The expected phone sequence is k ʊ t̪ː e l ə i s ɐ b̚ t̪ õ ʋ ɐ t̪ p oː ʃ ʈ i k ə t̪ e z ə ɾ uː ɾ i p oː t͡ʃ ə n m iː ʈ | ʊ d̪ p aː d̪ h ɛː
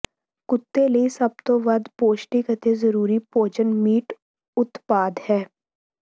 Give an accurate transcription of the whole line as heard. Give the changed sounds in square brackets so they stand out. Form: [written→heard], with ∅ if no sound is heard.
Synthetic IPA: k ʊ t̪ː e l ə i s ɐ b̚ t̪ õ ʋ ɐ [t̪→d̪] p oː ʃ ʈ i k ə t̪ e z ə ɾ uː ɾ i p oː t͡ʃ ə n m iː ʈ | ʊ [d̪→t̪] p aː d̪ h ɛː